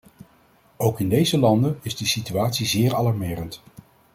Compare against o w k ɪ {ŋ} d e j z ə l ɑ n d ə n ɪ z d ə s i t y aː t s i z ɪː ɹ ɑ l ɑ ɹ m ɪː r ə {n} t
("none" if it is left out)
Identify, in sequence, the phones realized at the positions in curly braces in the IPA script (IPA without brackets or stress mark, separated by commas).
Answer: n, n